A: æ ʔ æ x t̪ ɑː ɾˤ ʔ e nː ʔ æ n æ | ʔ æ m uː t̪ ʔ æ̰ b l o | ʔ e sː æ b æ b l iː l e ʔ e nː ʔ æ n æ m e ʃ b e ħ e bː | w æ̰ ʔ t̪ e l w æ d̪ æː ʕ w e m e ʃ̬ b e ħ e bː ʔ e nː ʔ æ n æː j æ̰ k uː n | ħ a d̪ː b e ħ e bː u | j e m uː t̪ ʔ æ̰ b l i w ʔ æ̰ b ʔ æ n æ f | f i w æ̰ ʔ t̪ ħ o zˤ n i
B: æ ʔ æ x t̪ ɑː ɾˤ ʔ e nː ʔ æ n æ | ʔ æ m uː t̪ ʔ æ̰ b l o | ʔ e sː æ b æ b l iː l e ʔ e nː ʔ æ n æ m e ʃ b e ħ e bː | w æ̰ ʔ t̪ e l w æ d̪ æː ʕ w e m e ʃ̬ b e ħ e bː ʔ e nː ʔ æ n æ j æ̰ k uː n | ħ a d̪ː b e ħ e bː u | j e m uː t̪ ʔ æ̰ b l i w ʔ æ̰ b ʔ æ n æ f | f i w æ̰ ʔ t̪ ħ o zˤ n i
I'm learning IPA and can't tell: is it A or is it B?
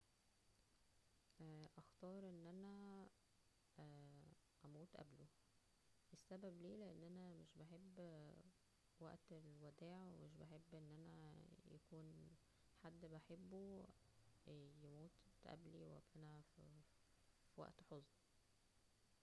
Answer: B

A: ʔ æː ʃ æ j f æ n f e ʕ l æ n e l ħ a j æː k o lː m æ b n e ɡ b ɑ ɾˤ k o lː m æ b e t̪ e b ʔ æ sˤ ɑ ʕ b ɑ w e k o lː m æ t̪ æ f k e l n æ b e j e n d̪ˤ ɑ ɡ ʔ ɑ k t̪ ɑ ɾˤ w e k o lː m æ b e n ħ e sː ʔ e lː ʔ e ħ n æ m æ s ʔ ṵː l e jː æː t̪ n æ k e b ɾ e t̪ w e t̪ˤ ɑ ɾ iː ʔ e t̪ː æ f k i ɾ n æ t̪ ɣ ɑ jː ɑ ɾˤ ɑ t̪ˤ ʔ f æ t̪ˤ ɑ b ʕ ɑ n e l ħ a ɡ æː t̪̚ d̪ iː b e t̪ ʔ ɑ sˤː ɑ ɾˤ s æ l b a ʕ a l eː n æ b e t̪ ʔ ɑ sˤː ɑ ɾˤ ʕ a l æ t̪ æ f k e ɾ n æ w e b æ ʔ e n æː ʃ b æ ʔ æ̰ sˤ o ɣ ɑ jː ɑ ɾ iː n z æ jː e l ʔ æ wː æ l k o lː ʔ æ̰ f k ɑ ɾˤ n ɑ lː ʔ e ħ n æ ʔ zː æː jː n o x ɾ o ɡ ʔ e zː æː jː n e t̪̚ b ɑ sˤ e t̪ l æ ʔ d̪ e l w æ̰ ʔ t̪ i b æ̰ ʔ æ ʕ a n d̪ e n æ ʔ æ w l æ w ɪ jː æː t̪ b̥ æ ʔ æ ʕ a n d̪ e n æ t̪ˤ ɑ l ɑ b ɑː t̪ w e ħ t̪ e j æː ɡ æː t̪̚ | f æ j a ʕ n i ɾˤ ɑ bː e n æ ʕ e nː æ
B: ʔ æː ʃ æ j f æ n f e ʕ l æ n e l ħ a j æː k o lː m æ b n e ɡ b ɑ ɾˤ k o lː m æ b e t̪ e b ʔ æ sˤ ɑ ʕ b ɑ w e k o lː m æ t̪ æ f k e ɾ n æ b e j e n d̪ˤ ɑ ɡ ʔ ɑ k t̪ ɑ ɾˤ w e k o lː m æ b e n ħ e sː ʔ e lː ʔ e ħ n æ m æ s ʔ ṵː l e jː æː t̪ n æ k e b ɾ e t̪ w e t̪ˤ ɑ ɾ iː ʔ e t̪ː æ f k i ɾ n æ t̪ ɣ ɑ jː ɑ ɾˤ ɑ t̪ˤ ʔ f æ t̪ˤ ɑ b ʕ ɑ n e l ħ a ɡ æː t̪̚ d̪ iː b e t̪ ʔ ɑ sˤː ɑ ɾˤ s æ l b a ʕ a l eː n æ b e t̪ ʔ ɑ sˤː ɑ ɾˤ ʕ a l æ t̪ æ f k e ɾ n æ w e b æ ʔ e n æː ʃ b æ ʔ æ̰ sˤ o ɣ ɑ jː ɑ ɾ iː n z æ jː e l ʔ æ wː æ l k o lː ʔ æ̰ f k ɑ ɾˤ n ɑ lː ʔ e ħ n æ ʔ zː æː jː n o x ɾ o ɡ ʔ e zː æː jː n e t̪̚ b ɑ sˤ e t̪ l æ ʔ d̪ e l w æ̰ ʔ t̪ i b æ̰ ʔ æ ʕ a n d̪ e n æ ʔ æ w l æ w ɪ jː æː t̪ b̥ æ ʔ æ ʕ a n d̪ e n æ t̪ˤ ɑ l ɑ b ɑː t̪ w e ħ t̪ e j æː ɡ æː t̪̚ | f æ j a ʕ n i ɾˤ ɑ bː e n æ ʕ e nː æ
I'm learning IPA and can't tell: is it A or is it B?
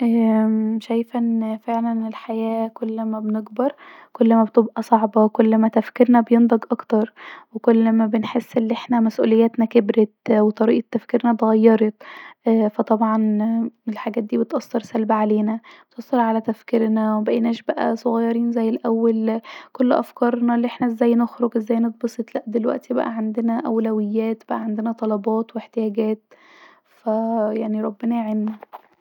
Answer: B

